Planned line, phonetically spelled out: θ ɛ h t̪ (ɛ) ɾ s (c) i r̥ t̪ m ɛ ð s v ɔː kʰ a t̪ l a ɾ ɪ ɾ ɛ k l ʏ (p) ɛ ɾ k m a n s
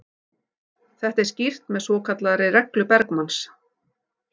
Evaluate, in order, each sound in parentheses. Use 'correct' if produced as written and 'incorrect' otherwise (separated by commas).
correct, correct, correct